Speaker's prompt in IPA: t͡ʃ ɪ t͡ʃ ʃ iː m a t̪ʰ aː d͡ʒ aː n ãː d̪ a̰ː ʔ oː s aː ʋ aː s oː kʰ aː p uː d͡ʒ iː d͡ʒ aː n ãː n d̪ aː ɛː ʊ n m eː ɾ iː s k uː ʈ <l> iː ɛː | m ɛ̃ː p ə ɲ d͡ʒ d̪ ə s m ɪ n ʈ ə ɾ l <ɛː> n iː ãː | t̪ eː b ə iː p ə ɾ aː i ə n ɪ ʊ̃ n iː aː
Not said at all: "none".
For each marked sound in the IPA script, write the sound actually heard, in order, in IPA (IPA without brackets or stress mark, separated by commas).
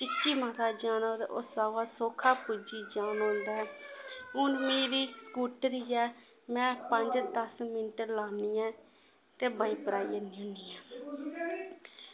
ɾ, aː